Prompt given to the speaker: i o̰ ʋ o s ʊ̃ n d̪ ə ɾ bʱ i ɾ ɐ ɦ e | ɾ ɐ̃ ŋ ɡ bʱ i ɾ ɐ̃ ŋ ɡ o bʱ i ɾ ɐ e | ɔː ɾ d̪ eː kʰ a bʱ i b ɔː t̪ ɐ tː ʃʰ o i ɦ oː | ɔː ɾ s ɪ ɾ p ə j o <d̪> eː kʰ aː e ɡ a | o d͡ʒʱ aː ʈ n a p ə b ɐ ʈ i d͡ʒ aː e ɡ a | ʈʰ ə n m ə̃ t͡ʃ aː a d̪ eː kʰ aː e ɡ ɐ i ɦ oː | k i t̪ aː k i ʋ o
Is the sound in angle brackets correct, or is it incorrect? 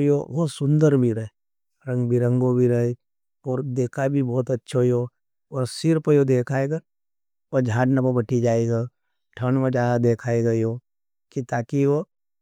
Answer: correct